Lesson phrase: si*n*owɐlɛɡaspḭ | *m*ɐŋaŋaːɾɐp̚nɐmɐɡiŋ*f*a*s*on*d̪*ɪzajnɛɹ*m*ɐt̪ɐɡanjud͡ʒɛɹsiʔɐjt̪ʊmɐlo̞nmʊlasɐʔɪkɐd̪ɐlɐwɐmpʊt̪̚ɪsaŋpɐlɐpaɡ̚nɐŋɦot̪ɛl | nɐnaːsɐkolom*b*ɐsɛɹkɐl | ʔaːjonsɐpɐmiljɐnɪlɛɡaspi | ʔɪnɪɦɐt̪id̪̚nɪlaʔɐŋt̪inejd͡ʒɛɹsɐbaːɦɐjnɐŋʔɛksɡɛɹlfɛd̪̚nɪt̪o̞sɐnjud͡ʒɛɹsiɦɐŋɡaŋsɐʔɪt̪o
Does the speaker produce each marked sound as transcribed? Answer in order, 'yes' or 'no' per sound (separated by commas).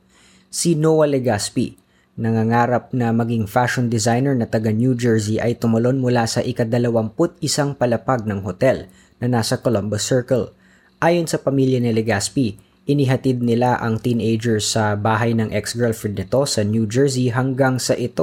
yes, no, yes, no, yes, no, yes